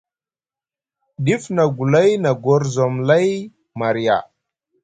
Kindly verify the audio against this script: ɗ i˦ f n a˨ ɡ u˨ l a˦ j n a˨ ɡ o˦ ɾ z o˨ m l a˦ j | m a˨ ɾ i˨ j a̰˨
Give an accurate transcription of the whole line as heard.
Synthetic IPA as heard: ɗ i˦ f n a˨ ɡ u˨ l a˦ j n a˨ ɡ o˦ ɾ z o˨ m l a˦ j | m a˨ ɾ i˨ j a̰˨